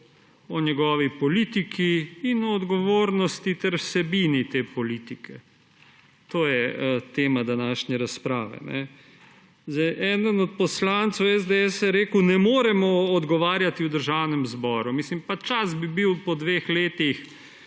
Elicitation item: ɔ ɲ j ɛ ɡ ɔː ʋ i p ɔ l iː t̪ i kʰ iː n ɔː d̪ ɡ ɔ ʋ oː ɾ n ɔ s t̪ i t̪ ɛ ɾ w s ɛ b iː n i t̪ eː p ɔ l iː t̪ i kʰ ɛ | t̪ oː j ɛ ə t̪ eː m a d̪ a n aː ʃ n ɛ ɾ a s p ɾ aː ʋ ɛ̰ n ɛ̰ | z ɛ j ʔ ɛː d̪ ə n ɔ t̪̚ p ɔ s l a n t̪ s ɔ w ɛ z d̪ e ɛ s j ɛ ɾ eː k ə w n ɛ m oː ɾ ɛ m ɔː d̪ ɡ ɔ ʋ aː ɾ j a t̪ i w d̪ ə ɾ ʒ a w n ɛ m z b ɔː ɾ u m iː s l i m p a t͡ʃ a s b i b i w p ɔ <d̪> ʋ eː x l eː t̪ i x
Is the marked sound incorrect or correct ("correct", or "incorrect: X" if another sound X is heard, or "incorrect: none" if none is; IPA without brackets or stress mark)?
correct